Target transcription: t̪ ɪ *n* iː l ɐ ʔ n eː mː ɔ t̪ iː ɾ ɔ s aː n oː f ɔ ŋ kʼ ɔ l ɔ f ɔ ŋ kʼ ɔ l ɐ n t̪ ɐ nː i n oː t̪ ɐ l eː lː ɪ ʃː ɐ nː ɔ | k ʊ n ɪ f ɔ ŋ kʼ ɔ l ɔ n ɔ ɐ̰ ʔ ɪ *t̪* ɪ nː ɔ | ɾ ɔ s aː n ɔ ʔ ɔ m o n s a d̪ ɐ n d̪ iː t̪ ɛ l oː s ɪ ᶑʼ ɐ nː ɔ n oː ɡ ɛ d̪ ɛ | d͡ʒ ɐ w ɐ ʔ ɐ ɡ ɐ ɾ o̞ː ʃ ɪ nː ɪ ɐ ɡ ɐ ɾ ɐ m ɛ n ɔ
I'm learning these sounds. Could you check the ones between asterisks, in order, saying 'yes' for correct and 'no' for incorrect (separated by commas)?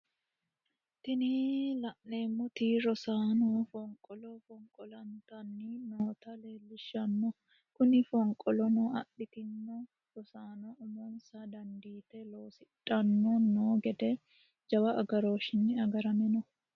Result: yes, yes